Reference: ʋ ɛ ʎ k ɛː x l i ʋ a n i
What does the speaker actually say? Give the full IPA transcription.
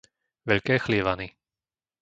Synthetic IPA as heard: ʋ ɛ ʎ k ɛː x l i ʋ a n i

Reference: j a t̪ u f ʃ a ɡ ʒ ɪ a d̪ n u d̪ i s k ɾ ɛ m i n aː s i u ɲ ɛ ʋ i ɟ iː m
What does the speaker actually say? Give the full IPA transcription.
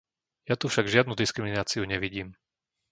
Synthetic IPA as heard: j a t̪ u f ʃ a ɡ ʒ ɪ a d̪ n u d̪ i s k ɾ i m i n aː t͡s i u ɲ ɛ ʋ i ɟ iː m

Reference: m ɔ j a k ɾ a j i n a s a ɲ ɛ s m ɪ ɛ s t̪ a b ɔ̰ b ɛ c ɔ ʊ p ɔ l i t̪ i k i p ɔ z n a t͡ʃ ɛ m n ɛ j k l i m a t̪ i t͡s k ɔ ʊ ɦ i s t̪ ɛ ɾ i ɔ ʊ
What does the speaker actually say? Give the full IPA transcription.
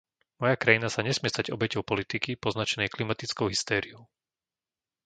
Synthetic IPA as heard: m ɔ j a k ɾ a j i n a s a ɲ ɛ s m ɪ ɛ s t̪ a ɟ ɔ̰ b ɛ c ɔ ʊ p ɔ l i t̪ i k i p ɔ z n a t͡ʃ ɛ n ɛ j k l i m a t̪ i t͡s k ɔ ʊ ɦ i s t̪ ɛː ɾ i ɔ ʊ

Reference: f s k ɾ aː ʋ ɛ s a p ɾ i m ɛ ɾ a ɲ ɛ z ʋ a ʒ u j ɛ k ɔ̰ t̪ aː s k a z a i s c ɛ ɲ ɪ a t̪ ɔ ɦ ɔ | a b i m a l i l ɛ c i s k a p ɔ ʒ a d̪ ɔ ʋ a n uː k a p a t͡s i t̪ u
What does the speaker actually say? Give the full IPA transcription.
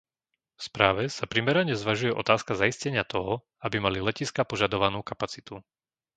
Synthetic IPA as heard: f s p ɾ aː ʋ ɛ s a p ɾ i m ɛ ɾ a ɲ ɛ z ʋ a ʒ u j ɛ ʔ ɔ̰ t̪ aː s k a z a i s c ɛ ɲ ɪ a t̪ ɔ ɦ ɔ | a b i m a l i l ɛ c i s k a p ɔ ʒ a d̪ ɔ ʋ a n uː k a p a t͡s i t̪ u

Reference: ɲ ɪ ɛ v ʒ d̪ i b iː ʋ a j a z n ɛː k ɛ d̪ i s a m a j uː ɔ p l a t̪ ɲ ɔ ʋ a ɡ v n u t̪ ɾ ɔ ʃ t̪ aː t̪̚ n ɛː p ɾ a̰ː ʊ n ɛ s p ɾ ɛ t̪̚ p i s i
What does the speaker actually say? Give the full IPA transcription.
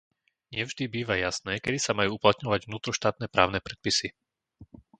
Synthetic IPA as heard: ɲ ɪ ɛ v ʒ d̪ i b iː ʋ a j a s n ɛː k ɛ d̪ i s a m a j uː u p l a t̪ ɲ ɔ ʋ a ɟ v n uː t̪ ɾ ɔ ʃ t̪ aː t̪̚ n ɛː p ɾ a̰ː ʊ n ɛ p ɾ ɛ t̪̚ p i s i

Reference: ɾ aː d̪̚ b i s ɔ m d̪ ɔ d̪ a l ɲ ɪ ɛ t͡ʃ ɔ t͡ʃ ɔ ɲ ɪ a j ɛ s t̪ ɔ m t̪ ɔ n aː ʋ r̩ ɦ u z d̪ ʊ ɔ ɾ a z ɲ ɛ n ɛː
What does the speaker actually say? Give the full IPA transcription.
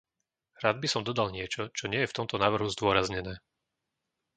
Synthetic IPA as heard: ɾ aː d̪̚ b i s ɔ m d̪ ɔ d̪ a l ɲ ɪ ɛ t͡ʃ ɔ t͡ʃ ɔ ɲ ɪ ɛ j ɛ f t̪ ɔ m t̪ ɔ n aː ʋ r̩ ɦ u z d̪ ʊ ɔ ɾ a z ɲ ɛ n ɛː

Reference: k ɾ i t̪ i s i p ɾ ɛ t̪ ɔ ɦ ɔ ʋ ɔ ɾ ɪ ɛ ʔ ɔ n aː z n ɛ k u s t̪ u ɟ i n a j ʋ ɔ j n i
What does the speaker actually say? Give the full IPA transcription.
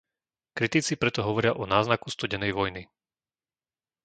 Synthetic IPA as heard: k ɾ i t̪ i t͡s i p ɾ ɛ t̪ ɔ ɦ ɔ ʋ ɔ ɾ ɪ a ʔ ɔ n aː z n a k u s t̪ u ɟ ɛ n ɛ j ʋ ɔ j n i

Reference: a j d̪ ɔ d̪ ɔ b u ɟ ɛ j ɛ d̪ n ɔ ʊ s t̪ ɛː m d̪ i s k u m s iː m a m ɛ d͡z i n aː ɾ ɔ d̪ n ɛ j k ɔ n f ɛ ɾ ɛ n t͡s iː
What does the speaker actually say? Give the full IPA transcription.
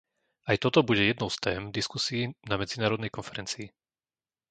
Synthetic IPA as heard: a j t̪ ɔ t̪ ɔ b u ɟ ɛ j ɛ d̪ n ɔ ʊ s t̪ ɛː m d̪ i s k u s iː n a m ɛ d͡z i n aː ɾ ɔ d̪ n ɛ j k ɔ n f ɛ ɾ ɛ n t͡s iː

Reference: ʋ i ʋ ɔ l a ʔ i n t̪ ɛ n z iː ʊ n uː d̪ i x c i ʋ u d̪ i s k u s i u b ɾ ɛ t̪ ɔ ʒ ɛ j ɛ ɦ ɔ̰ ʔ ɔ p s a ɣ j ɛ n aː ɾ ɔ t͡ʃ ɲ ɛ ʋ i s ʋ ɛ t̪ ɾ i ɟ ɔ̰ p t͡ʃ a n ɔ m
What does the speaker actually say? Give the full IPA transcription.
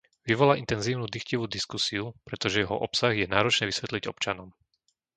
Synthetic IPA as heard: ʋ i ʋ ɔ l a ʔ i n t̪ ɛ n z iː ʊ n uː d̪ i x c i ʋ u d̪ i s k u s i u p ɾ ɛ t̪ ɔ ʒ ɛ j ɛ ɦ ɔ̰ ʔ ɔ p s a ɣ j ɛ n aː ɾ ɔ t͡ʃ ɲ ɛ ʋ i s ʋ ɛ t̪ l i ɟ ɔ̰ p t͡ʃ a n ɔ m

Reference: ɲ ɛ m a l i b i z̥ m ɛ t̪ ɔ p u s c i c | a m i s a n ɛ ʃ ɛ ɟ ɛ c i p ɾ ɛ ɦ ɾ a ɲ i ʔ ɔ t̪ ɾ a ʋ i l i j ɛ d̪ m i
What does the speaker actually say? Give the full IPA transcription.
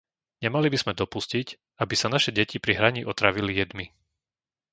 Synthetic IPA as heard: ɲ ɛ m a l i b i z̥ m ɛ d̪ ɔ p u s c i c | a b i s a n a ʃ ɛ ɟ ɛ c i p ɾ i ɦ ɾ a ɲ i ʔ ɔ t̪ ɾ a ʋ i l i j ɛ d̪ m i

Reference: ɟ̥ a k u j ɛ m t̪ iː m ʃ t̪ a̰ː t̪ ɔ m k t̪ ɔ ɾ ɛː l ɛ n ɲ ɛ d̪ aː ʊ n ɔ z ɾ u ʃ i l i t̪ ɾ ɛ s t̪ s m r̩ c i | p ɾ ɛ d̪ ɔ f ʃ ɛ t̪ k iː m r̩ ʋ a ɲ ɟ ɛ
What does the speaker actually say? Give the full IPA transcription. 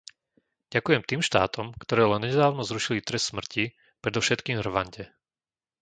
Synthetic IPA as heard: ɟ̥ a k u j ɛ m t̪ iː m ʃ t̪ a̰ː t̪ ɔ m k t̪ ɔ ɾ ɛː l ɛ n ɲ ɛ d̪ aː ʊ n ɔ z ɾ u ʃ i l i t̪ ɾ ɛ s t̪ s m r̩ c i | p ɾ ɛ d̪ ɔ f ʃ ɛ t̪ k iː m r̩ ʋ a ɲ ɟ ɛ

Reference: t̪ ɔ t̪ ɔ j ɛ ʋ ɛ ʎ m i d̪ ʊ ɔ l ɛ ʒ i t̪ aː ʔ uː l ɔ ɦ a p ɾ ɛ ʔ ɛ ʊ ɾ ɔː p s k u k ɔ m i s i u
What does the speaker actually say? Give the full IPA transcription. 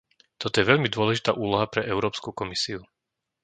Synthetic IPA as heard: t̪ ɔ t̪ ɔ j ɛ ʋ ɛ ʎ m i d̪ ʊ ɔ l ɛ ʒ i t̪ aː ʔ uː l ɔ ɦ a p ɾ ɛ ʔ ɛ ʊ ɾ ɔː p s k u k ɔ m i s i u

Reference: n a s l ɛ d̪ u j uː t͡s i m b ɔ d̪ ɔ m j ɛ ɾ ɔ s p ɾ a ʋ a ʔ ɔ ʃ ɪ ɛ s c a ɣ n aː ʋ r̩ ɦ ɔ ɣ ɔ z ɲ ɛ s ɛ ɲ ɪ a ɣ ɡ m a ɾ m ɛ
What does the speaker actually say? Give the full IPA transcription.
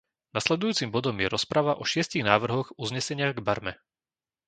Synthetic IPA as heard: n a s l ɛ d̪ u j uː t͡s i m b ɔ d̪ ɔ m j ɛ ɾ ɔ s p ɾ a ʋ a ʔ ɔ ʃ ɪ ɛ s c i ɣ n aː ʋ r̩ ɦ ɔ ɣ u z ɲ ɛ s ɛ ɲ ɪ a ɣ ɡ b a ɾ m ɛ

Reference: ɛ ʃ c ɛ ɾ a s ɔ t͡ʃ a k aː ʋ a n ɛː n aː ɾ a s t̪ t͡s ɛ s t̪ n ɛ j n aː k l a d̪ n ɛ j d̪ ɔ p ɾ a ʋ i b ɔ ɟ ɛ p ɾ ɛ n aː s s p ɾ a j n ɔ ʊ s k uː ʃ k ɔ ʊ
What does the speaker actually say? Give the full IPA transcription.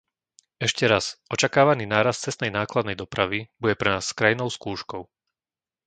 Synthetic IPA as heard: ɛ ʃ c ɛ ɾ a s ɔ t͡ʃ a k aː ʋ a n iː n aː ɾ a s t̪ t͡s ɛ s t̪ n ɛ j n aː k l a d̪ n ɛ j d̪ ɔ p ɾ a ʋ i b u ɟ ɛ p ɾ ɛ n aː s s k ɾ a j n ɔ ʊ s k uː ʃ k ɔ ʊ

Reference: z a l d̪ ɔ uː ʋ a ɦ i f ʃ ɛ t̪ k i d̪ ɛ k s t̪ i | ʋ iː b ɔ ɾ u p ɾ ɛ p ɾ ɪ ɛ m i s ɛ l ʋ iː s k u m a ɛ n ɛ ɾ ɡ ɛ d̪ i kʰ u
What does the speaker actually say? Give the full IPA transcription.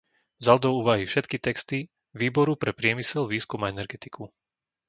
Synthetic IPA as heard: z a l d̪ ɔ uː ʋ a ɦ i f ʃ ɛ t̪ k i t̪ ɛ k s t̪ i | ʋ iː b ɔ ɾ u p ɾ ɛ p ɾ ɪ ɛ m i s ɛ l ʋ iː s k u m a ɛ n ɛ ɾ ɡ ɛ t̪ i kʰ u

